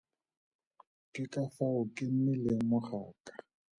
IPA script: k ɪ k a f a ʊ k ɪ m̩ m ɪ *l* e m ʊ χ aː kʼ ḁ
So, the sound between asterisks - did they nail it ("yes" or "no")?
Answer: yes